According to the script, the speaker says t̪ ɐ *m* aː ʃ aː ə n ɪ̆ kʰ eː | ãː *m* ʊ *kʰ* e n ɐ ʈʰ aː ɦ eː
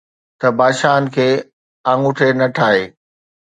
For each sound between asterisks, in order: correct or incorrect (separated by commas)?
incorrect, incorrect, incorrect